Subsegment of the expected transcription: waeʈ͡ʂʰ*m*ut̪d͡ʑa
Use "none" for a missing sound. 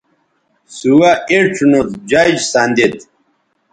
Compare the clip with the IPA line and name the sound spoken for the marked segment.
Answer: n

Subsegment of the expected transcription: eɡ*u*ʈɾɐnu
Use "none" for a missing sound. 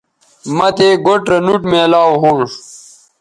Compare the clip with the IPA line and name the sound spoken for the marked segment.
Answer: o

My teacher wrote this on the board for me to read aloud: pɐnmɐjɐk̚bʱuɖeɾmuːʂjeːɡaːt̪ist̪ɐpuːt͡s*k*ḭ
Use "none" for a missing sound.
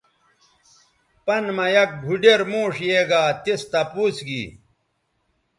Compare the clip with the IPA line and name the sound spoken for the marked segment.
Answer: ɡ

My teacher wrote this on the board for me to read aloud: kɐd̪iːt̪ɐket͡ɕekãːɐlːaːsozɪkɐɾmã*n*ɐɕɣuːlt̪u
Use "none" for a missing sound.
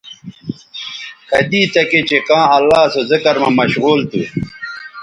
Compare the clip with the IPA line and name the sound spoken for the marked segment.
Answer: m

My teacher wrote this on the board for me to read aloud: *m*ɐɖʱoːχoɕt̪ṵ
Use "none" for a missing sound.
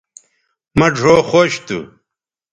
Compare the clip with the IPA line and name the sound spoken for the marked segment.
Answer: m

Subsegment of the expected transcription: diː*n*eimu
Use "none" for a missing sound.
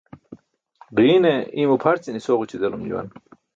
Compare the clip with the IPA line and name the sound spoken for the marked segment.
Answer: n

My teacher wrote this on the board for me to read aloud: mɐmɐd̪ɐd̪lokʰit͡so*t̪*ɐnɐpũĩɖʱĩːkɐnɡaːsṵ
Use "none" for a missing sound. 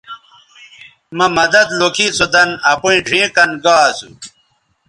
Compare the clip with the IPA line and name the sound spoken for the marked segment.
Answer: d̪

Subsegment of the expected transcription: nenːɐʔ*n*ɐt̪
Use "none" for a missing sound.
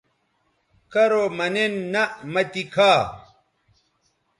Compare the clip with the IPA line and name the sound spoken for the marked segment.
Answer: m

